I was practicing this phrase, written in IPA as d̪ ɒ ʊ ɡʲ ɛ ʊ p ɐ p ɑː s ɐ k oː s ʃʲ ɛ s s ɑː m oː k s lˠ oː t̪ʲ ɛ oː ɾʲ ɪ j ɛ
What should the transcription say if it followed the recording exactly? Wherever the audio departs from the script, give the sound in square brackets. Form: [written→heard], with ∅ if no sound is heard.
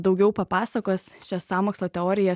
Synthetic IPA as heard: d̪ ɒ ʊ ɡʲ ɛ ʊ p ɐ p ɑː s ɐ k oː s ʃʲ ɛ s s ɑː m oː k s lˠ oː t̪ʲ ɛ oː ɾʲ ɪ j ɛ